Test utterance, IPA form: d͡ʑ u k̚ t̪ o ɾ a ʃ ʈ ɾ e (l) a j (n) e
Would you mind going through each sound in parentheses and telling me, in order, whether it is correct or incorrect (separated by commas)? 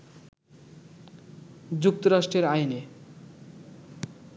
incorrect, correct